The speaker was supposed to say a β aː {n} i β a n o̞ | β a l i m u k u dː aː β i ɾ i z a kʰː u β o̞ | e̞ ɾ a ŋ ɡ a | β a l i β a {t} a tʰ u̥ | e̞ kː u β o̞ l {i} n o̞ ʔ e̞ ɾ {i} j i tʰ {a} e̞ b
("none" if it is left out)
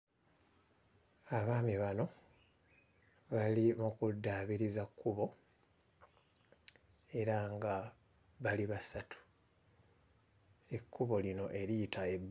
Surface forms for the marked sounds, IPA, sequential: m, s, i, i, a

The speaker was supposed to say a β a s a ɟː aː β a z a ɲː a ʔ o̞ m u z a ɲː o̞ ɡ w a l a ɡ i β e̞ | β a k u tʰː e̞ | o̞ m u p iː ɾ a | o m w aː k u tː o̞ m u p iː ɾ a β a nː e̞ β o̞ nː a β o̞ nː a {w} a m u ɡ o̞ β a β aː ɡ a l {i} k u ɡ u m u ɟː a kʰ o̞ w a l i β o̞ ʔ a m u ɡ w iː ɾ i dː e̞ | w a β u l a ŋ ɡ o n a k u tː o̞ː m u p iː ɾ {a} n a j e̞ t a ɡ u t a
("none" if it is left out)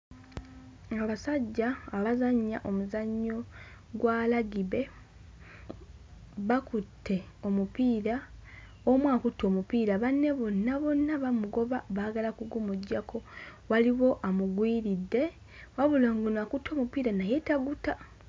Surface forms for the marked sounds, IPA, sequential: β, a, a

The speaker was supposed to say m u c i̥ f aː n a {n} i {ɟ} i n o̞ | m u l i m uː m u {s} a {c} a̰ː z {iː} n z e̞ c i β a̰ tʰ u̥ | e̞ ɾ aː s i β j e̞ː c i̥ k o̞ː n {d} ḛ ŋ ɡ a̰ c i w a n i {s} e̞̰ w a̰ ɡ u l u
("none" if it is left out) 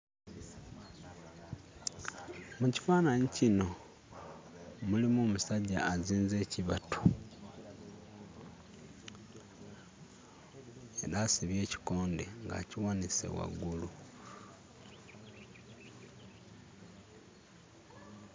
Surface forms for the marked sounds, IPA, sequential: ɲ, c, s, ɟ, iː, d, s

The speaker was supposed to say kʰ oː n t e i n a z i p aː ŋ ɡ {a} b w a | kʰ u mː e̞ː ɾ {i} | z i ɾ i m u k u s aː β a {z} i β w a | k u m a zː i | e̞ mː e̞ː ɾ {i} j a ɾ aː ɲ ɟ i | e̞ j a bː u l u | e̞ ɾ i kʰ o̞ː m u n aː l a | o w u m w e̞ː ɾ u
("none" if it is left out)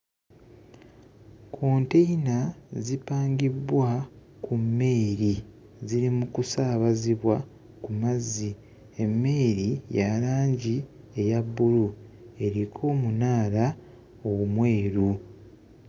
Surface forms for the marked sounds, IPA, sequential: i, i, z, i

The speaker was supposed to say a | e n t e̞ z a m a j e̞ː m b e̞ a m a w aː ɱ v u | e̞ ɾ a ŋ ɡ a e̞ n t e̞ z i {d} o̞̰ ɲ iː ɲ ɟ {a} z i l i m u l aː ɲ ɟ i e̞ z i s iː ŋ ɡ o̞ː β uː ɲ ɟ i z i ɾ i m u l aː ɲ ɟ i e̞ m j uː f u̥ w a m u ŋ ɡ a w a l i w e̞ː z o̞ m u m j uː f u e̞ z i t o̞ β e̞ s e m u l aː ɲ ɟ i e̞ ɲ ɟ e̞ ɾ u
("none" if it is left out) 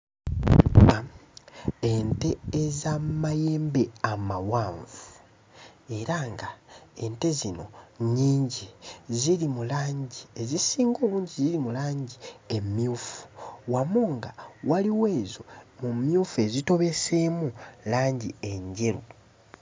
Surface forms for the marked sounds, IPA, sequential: n, i

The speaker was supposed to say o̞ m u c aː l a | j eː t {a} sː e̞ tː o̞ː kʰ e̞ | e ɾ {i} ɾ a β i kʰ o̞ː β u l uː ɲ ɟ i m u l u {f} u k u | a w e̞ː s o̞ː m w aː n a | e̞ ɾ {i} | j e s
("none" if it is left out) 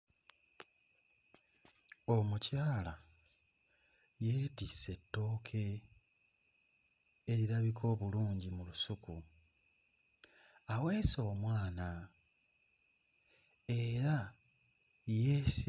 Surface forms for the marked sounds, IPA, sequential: i, i, s, a

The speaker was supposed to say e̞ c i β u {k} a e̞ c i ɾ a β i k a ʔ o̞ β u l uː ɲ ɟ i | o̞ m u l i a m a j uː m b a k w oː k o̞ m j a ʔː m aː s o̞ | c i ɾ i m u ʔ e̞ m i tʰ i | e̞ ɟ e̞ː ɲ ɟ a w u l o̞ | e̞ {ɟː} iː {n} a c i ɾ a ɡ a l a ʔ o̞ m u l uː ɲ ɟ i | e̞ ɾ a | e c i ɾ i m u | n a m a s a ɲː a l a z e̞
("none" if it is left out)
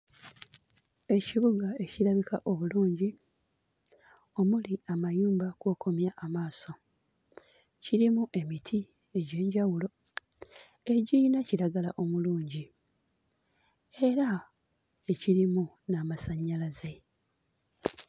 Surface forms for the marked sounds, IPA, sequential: ɡ, ɟ, n

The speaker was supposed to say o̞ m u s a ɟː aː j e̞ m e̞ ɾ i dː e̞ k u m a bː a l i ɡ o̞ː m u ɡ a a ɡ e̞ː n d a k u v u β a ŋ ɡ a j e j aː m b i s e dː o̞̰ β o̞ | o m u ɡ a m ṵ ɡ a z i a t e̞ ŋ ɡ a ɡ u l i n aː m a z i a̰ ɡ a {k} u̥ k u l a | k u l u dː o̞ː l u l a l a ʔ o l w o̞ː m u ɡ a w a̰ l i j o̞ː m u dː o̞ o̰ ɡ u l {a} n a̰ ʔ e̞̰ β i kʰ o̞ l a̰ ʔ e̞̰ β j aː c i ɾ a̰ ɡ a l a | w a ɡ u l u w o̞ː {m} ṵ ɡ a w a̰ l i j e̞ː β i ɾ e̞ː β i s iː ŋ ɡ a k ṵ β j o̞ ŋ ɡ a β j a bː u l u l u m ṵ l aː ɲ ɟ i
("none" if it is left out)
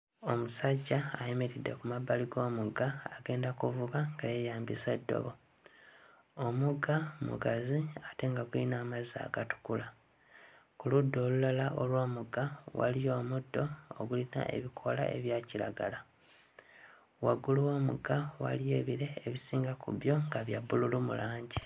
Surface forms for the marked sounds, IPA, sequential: t, i, m

